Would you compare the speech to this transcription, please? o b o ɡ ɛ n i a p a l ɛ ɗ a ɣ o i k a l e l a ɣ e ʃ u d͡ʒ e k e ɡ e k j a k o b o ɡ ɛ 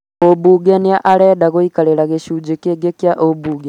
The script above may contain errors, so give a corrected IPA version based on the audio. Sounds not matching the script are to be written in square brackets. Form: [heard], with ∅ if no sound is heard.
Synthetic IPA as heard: o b [u] ɡ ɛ n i a [ʔ] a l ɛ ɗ a ɣ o i k a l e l a ɣ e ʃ u d͡ʒ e k e ɡ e k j a [ʔ] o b [u] ɡ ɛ

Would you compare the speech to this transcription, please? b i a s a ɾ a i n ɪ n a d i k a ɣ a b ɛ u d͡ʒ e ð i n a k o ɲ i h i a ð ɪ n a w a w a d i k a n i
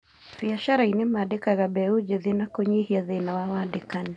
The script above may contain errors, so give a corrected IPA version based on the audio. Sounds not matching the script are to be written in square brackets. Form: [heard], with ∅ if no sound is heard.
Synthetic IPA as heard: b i a [ʃ] a ɾ a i n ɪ [m] a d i k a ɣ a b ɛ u d͡ʒ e ð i n a k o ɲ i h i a ð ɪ n a w a w a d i k a n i

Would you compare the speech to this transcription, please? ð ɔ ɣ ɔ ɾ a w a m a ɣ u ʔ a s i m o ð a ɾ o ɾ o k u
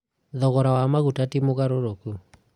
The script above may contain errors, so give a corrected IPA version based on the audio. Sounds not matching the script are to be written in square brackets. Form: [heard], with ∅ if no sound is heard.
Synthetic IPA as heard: ð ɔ ɣ ɔ ɾ a w a m a ɣ u [t] a [t] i m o [ɣ] a ɾ o ɾ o k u

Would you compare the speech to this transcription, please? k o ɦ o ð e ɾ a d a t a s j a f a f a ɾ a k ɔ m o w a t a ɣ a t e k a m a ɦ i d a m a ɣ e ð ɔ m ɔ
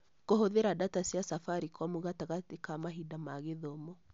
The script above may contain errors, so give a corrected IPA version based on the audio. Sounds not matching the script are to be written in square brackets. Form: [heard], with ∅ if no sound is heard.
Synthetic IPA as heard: k o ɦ o ð e ɾ a d a t a s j a [s] a f a ɾ [i] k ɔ m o [ɣ] a t a ɣ a t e k a m a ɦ i d a m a ɣ e ð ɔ m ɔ

